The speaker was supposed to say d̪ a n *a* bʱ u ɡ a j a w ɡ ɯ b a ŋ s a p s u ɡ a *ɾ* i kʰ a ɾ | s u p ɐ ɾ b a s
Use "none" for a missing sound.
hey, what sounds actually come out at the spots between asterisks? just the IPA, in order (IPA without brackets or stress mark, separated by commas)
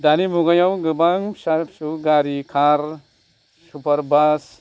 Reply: i, ɾ